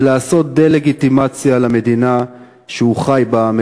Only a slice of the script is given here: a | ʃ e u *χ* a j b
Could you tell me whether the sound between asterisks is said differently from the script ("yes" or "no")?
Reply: no